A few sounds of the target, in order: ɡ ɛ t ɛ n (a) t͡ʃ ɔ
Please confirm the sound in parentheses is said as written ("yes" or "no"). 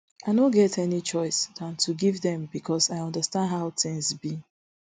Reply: no